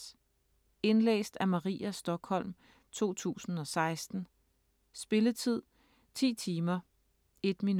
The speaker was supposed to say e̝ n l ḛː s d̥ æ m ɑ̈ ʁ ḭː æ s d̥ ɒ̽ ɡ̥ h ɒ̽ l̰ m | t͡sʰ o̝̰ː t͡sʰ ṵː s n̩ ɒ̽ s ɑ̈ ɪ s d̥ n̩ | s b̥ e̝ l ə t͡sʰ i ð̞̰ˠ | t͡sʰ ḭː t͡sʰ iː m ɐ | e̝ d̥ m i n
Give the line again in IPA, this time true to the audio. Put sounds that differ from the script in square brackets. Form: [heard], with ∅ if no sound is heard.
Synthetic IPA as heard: e̝ n l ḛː s d̥ æ m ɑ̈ ʁ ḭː æ s d̥ ɒ̽ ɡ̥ h ɒ̽ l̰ m | t͡sʰ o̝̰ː t͡sʰ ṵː s n̩ ɒ̽ s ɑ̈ ɪ s d̥ n̩ | s b̥ e̝ l ə t͡sʰ i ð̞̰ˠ | t͡sʰ ḭː t͡sʰ iː m ɐ | e̝ d̥ m i n